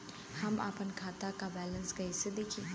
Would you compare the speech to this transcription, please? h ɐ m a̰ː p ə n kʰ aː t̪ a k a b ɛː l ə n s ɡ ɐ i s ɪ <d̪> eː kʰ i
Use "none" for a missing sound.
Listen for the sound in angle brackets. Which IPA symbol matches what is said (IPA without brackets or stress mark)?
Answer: d̪